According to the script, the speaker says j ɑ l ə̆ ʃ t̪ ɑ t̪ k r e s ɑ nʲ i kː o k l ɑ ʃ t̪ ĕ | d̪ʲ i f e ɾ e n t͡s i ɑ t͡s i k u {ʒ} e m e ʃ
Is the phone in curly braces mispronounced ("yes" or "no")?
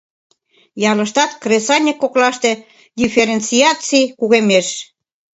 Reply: yes